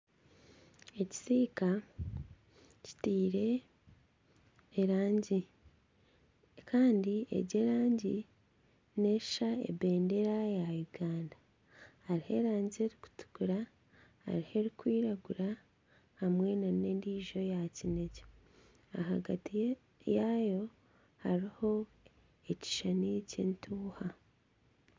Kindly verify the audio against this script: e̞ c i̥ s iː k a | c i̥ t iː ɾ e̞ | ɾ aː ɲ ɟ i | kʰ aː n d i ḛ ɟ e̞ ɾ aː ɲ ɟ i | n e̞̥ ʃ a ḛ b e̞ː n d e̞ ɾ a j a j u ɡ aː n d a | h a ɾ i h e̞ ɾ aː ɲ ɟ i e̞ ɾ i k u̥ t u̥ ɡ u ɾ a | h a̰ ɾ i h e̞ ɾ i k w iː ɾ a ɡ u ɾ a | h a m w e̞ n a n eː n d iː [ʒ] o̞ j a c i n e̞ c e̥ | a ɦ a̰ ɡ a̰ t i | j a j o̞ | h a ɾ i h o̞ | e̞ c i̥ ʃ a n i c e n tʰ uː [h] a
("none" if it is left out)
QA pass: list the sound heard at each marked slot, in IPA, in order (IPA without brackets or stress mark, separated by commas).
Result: ʒ, h